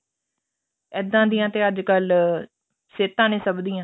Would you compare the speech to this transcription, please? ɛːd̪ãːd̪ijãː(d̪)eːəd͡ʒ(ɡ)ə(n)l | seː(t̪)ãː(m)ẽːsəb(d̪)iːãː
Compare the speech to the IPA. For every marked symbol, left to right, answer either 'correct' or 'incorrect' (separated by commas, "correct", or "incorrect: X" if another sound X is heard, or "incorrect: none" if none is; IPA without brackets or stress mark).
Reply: incorrect: t̪, incorrect: k, incorrect: none, correct, incorrect: n, correct